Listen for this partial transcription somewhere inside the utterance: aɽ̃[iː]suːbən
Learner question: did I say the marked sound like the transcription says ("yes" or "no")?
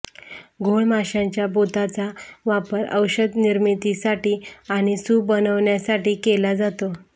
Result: no